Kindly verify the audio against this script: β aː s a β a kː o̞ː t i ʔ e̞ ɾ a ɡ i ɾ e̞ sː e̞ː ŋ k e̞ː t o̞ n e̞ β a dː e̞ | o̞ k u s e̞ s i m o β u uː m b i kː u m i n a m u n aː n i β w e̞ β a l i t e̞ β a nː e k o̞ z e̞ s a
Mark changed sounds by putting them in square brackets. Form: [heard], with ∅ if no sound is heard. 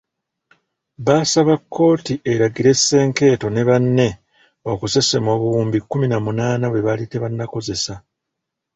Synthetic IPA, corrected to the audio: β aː s a β a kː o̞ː t i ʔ e̞ ɾ a ɡ i ɾ e̞ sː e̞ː ŋ k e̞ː t o̞ n e̞ β a [nː] e̞ | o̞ k u s e̞ s [e] m o β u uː m b i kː u m i n a m u n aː n [a] β w e̞ β a l i t e̞ β a nː [a] k o̞ z e̞ s a

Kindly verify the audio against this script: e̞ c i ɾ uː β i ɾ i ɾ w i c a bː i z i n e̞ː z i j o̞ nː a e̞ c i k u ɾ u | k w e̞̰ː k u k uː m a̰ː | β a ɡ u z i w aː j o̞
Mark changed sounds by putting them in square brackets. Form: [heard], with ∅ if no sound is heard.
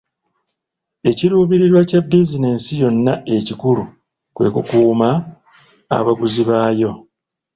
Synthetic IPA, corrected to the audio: e̞ c i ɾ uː β i ɾ i ɾ w [a] c a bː i z i n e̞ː [s] i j o̞ nː a e̞ c i k u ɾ u | k w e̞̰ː k u k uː m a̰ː | β a ɡ u z i [β] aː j o̞

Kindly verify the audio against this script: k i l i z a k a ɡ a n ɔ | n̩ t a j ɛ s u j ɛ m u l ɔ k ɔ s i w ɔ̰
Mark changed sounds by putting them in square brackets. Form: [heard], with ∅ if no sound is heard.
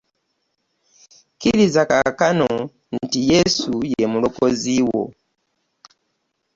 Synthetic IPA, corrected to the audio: k i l i z a k a [k] a n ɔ | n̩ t [i] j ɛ s u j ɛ m u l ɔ k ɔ [z] i w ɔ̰

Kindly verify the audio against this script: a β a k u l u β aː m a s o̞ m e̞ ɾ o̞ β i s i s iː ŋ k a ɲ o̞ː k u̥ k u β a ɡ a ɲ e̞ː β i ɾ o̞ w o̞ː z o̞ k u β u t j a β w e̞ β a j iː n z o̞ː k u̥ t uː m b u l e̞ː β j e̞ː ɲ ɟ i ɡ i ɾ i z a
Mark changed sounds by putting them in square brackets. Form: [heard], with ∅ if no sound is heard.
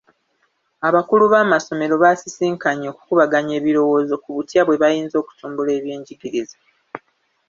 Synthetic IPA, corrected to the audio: a β a k u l u β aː m a s o̞ m e̞ ɾ o̞ β [a] s i s iː ŋ k a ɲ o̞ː k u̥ k u β a ɡ a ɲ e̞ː β i ɾ o̞ w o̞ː z o̞ k u β u t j a β w e̞ β a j iː n z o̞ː k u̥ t uː m b u l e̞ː β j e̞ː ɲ ɟ i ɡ i ɾ i z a

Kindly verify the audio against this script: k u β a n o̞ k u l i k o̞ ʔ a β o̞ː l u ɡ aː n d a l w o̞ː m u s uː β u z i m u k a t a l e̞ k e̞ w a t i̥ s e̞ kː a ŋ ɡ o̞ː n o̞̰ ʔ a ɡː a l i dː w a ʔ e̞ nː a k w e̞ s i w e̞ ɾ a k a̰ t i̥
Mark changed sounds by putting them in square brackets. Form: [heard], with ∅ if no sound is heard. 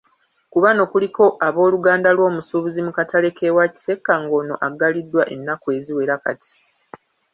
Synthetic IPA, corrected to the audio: k u β a n o̞ k u l i k o̞ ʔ a β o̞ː l u ɡ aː n d a l w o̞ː m u s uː β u z i m u k a t a l e̞ k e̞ w a [c] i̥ s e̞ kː a ŋ ɡ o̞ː n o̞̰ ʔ a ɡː a l i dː w a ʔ e̞ nː a k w e̞ [z] i w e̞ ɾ a k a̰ t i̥

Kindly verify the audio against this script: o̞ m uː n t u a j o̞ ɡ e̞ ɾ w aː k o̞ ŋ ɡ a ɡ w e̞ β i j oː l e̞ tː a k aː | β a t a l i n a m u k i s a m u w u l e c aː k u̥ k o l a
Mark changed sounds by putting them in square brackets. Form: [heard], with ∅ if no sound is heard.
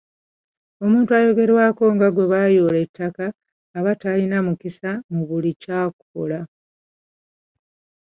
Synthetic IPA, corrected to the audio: o̞ m uː n t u a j o̞ ɡ e̞ ɾ w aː k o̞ ŋ ɡ a ɡ w e̞ β [a] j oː l e̞ tː a k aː | β a t a l i n a m u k i s a m u [β] u l [i] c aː k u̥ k o l a

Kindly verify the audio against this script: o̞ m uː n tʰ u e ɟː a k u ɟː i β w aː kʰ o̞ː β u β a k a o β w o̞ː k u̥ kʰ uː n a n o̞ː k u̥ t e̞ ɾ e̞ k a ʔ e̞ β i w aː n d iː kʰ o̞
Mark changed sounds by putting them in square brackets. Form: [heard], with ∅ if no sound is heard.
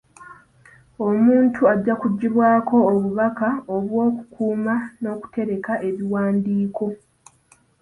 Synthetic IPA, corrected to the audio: o̞ m uː n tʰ u [a] ɟː a k u ɟː i β w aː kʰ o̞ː β u β a k a o β w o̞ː k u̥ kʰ uː [m] a n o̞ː k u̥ t e̞ ɾ e̞ k a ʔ e̞ β i w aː n d iː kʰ o̞

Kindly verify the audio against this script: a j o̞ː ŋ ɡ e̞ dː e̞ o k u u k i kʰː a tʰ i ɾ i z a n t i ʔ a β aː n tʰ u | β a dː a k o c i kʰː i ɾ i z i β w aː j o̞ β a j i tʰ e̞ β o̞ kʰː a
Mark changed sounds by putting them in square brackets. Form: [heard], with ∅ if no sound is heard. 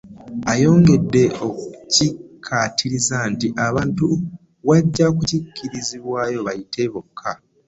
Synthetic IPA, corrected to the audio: a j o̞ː ŋ ɡ e̞ dː e̞ o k u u [c] i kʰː a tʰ i ɾ i z a n t i ʔ a β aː n [t] u | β a [ɟː] a k [u] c i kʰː i ɾ i z i β w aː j o̞ β a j i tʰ e̞ β o̞ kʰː a

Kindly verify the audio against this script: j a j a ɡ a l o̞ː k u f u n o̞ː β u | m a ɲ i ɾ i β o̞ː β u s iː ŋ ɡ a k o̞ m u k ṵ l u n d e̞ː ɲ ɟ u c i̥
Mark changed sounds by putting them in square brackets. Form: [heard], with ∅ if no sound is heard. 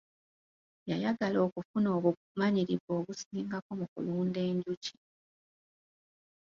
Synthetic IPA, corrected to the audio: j a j a ɡ a l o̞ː k u f u n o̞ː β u | m a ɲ i ɾ i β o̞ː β u s iː ŋ ɡ a k o̞ m u k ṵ l [uː] n d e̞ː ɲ ɟ u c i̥

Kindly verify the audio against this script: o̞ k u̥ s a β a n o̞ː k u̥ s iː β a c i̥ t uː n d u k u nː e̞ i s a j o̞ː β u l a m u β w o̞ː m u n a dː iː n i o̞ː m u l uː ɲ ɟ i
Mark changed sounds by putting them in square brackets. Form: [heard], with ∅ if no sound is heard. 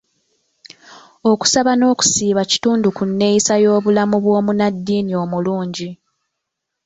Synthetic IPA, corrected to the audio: o̞ k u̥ s a β a n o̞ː k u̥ s iː β a c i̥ t uː n d u k u nː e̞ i s a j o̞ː β u l a m u β w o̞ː m u n a dː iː n i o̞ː m u l uː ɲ ɟ i

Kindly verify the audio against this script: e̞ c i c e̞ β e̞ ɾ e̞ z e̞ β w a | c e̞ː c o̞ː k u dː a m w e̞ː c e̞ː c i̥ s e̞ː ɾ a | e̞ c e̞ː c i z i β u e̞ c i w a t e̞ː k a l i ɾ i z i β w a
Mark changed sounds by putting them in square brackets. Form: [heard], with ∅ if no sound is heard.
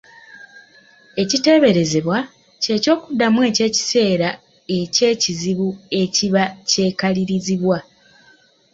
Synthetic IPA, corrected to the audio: e̞ c i [t] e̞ β e̞ ɾ e̞ z e̞ β w a | c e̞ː c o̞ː k u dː a m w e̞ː c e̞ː c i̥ s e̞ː ɾ a | e̞ c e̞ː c i z i β u e̞ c i [β] a [c] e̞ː k a l i ɾ i z i β w a

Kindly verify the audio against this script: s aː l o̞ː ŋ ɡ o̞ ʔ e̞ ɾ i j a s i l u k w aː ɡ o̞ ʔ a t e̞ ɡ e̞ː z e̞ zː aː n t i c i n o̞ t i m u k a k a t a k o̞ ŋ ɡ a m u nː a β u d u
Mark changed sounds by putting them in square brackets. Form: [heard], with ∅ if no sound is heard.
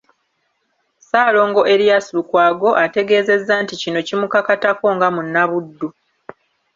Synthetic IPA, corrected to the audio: s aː l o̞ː ŋ ɡ o̞ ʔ e̞ ɾ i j a s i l u k w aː ɡ o̞ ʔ a t e̞ ɡ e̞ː z e̞ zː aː n t i c i n o̞ [c] i m u k a k a t a k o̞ ŋ ɡ a m u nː a β u [dː] u

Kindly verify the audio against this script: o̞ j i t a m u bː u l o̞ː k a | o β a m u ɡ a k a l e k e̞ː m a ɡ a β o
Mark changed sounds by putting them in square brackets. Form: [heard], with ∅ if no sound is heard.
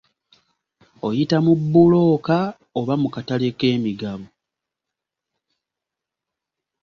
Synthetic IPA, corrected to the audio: o̞ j i t a m u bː u l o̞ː k a | o β a m u [k] a [t] a l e k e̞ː m [i] ɡ a β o

